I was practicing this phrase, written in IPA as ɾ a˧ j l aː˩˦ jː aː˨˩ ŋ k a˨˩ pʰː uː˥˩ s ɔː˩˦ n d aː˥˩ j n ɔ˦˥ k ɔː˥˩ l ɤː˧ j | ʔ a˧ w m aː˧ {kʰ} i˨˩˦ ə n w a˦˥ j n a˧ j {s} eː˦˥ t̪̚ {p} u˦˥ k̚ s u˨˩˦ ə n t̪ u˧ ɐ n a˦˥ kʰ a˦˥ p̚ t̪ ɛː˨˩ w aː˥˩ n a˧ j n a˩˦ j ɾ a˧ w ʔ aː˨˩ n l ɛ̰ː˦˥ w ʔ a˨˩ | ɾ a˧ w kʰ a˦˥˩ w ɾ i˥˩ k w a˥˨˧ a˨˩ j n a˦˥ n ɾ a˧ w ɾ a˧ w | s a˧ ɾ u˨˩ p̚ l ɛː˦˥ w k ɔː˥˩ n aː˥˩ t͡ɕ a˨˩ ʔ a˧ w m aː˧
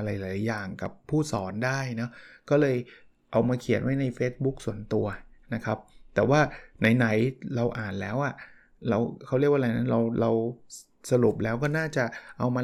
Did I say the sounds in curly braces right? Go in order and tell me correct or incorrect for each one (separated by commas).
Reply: correct, incorrect, incorrect